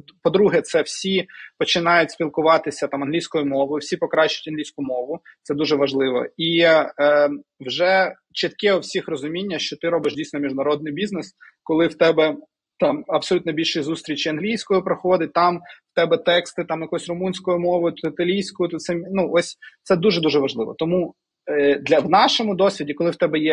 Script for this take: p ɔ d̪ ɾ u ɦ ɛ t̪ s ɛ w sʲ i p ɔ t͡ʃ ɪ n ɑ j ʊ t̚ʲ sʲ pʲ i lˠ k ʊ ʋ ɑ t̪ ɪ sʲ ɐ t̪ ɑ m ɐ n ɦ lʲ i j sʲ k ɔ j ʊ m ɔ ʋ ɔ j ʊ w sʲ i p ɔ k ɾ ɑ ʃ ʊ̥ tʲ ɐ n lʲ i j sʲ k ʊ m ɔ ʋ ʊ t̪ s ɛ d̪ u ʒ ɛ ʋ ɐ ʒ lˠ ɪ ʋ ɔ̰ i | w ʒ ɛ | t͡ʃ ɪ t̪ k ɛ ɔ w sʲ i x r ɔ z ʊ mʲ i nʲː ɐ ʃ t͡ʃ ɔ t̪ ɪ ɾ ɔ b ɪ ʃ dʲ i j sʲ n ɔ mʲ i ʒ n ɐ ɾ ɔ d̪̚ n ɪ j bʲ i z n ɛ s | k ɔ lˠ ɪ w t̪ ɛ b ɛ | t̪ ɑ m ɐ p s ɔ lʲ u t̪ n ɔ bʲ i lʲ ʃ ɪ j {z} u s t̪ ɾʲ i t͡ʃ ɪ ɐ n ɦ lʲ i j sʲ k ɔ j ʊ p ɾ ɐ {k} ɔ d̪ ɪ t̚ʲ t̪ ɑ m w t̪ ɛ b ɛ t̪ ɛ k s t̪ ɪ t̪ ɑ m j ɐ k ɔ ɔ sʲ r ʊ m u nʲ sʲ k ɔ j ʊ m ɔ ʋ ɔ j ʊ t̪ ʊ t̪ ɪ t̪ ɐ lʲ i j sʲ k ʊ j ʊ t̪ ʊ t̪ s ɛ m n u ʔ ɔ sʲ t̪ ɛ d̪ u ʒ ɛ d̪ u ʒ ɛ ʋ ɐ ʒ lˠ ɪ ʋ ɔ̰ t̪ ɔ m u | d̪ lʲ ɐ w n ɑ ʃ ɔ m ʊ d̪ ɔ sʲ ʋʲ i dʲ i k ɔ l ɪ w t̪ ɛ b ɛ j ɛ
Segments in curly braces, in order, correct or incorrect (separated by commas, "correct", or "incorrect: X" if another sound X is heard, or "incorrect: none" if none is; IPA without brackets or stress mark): correct, incorrect: x